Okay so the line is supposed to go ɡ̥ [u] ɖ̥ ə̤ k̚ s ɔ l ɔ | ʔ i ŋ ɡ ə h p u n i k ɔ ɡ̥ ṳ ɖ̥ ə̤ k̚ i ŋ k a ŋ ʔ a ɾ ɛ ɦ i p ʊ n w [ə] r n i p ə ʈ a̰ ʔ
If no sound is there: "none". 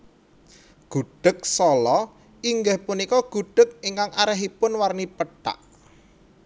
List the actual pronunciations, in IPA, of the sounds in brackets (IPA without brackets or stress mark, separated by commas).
u, a